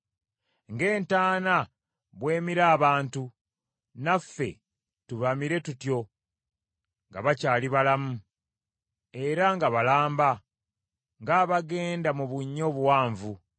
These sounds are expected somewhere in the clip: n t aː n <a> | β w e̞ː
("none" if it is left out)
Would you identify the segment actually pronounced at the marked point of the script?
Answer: a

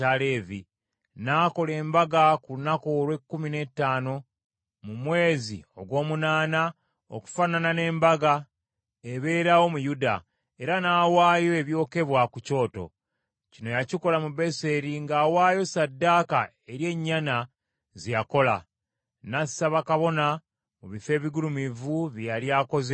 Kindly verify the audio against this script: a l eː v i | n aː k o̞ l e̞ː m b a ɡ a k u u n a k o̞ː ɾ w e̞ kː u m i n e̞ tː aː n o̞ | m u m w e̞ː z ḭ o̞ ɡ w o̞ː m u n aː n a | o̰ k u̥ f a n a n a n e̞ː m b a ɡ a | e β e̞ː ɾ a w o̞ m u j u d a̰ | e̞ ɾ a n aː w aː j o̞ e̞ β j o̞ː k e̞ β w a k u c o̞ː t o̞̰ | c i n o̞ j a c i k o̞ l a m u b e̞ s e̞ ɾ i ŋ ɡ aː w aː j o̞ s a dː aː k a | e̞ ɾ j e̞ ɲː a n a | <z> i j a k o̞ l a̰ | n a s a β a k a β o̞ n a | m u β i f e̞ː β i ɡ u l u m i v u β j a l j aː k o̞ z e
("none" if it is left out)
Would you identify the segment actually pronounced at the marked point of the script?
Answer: z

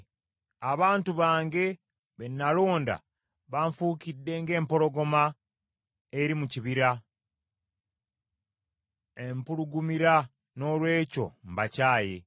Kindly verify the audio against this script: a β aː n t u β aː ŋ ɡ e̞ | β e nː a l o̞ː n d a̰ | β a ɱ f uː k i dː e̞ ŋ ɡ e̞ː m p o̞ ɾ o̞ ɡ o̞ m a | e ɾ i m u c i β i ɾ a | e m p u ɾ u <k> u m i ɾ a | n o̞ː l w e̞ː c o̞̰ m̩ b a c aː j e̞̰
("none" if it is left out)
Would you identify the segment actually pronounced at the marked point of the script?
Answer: ɡ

